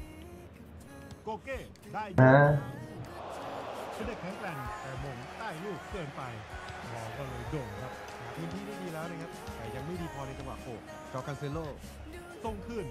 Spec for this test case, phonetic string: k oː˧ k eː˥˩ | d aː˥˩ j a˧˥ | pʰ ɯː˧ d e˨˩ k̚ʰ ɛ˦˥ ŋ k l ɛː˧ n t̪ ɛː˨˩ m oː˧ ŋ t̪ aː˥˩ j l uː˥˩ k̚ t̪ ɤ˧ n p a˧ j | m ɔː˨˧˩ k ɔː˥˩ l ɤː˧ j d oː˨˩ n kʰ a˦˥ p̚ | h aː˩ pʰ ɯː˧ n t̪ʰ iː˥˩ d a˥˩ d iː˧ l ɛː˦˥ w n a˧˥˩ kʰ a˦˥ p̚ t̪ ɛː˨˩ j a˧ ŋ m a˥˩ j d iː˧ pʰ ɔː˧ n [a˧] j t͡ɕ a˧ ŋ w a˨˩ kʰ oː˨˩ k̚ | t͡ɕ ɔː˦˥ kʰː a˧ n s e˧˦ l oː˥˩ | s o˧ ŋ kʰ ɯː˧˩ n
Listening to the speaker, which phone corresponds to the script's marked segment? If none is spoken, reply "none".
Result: a˧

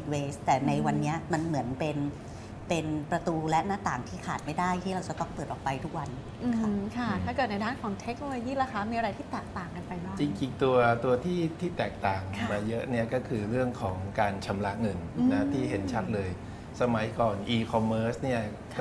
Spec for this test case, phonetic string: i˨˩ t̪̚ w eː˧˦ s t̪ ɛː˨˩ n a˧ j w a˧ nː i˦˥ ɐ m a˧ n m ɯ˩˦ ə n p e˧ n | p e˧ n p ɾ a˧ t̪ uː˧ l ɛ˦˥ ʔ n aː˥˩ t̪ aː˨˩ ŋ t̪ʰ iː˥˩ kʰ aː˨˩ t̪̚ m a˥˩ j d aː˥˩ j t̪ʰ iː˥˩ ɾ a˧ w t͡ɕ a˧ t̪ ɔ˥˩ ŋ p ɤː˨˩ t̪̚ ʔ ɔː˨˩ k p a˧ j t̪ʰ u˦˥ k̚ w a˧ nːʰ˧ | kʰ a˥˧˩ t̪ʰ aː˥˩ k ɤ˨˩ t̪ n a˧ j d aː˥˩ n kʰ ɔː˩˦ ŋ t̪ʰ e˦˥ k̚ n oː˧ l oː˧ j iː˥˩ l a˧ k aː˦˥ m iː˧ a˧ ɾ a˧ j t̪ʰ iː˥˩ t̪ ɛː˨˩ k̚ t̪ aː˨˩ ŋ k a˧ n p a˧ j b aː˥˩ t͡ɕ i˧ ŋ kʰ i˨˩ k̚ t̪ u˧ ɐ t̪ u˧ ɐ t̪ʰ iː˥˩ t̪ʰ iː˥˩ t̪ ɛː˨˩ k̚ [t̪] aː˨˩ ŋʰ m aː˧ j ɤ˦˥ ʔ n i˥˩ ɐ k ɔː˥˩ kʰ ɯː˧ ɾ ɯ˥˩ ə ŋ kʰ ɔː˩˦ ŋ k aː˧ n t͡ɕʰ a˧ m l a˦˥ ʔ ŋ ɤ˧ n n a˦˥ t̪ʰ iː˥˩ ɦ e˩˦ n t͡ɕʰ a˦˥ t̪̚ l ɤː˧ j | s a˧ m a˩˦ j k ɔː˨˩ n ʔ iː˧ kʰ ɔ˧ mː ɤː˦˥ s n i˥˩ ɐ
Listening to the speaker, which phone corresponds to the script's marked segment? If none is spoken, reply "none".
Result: t̪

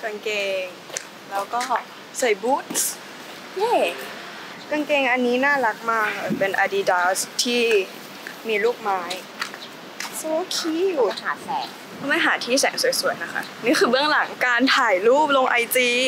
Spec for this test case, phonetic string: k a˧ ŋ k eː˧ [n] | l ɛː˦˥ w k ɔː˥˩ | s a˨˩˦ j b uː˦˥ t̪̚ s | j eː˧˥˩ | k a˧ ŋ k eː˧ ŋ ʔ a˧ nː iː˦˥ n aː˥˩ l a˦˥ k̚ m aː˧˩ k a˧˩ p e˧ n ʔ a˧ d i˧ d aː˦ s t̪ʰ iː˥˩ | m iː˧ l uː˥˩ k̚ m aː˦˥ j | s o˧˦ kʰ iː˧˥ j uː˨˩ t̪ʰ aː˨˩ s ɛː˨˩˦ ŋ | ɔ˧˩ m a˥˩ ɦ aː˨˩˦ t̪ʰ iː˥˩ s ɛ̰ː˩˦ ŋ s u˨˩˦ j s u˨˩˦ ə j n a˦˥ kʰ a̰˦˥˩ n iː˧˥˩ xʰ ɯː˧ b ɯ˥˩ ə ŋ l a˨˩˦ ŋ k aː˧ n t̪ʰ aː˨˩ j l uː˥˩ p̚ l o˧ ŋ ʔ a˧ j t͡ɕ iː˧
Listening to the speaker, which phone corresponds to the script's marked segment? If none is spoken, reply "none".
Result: ŋ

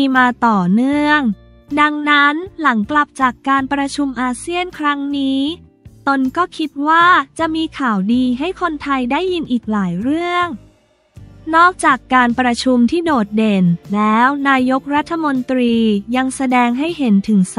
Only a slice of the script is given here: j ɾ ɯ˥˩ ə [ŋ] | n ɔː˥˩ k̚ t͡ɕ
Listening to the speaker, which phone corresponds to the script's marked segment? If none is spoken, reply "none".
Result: ŋ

